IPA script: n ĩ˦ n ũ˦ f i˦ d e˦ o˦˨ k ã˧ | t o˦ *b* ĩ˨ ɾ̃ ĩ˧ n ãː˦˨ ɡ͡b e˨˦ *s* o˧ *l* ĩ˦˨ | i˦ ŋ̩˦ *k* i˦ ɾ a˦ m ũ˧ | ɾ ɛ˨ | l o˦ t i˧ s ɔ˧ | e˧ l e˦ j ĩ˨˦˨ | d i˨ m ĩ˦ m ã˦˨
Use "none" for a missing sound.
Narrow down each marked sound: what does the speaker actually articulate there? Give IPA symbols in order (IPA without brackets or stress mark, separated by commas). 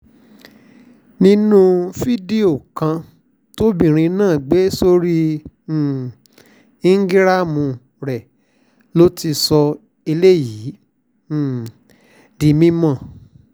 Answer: b, s, ɾ, ɡ